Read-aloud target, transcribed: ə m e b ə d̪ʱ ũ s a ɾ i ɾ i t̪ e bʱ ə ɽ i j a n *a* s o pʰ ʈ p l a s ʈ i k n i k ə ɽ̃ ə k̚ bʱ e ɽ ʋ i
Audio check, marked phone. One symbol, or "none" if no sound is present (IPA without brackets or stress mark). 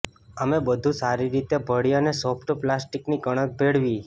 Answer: e